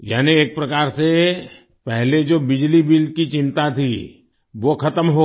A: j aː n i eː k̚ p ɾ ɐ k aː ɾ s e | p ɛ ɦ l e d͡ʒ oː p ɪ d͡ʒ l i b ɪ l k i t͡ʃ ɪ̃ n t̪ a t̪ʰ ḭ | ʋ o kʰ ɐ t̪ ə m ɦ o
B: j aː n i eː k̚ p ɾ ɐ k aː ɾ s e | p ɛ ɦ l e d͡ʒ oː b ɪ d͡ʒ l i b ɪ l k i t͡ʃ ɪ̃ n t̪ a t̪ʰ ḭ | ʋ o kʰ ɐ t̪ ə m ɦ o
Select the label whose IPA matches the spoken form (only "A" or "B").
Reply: B